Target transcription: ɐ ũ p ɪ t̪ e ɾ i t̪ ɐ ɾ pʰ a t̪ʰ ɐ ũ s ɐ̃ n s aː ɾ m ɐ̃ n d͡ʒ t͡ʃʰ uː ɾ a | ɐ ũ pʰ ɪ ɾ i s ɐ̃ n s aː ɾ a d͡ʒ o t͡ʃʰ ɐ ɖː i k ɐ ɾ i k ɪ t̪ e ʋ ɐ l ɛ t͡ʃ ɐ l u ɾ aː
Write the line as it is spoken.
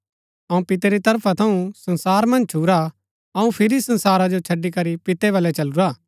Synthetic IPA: ɐ ũ p ɪ t̪ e ɾ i t̪ ɐ ɾ pʰ a t̪ʰ ɐ ũ s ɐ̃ n s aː ɾ m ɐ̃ n d͡ʒ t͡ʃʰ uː ɾ a | ɐ ũ pʰ ɪ ɾ i s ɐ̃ n s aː ɾ a d͡ʒ o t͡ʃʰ ɐ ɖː i k ɐ ɾ i p ɪ t̪ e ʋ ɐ l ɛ t͡ʃ ɐ l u ɾ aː